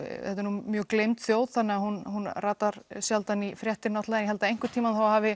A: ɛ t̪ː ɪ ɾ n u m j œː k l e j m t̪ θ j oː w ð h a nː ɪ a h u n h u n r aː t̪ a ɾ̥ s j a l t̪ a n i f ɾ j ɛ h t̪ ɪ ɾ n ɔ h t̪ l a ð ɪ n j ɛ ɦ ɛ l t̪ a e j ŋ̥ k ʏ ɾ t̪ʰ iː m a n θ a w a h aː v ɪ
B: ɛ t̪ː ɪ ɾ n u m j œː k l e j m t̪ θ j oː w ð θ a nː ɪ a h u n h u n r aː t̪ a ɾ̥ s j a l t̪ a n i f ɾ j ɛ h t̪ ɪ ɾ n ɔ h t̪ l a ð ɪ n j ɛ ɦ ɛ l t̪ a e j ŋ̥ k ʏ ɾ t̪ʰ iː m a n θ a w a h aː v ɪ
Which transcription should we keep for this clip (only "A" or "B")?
B